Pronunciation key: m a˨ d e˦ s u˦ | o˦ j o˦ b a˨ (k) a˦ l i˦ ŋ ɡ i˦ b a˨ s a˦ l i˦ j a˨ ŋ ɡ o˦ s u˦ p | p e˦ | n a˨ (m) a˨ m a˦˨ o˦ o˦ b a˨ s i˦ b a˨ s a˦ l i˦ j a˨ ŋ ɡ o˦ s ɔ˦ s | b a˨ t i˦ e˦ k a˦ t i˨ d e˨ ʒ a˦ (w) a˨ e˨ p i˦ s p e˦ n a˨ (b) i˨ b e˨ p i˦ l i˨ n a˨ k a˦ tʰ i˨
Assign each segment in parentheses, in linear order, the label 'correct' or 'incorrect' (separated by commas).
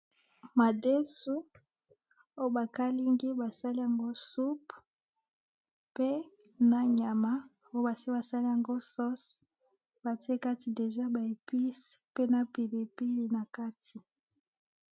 correct, incorrect, incorrect, incorrect